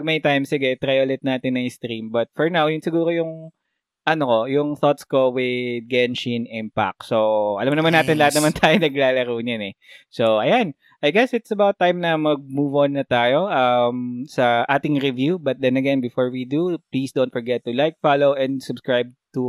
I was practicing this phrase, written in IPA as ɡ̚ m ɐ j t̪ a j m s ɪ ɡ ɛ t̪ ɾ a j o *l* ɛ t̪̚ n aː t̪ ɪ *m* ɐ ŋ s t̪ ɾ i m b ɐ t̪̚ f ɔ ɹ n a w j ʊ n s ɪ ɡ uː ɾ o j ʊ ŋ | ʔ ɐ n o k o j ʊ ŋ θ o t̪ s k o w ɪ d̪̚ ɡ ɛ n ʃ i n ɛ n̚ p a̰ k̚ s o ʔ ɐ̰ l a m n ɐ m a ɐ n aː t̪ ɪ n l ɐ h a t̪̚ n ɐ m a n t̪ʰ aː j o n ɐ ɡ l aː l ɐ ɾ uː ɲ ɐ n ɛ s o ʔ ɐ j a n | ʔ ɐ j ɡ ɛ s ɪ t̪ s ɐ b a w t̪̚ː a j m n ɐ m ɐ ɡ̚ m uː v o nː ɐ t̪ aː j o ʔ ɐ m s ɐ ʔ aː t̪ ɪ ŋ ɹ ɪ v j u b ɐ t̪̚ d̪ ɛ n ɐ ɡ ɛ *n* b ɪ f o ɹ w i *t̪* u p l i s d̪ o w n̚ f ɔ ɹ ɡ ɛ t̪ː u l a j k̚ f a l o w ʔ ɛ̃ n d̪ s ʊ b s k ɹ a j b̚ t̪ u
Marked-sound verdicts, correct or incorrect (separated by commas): correct, incorrect, correct, incorrect